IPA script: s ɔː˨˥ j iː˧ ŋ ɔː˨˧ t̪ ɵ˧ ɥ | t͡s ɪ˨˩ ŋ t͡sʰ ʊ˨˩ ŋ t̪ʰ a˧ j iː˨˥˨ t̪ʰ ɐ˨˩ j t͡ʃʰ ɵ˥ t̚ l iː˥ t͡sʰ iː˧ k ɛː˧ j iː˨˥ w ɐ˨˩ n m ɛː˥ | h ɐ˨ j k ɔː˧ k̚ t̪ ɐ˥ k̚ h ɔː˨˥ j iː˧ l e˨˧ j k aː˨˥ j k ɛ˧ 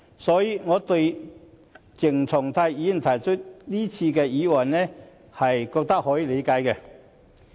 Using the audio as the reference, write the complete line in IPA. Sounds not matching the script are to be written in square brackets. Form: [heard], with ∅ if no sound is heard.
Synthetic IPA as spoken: s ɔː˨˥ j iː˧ ŋ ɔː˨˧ t̪ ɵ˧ ɥ | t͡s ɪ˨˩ ŋ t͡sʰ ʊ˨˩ ŋ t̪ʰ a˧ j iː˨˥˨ t̪ʰ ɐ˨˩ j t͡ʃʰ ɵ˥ t̚ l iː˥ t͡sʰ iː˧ k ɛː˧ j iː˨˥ w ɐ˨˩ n [n] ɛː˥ | h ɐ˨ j k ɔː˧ k̚ t̪ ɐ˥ k̚ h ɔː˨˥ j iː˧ l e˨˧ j k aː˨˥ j k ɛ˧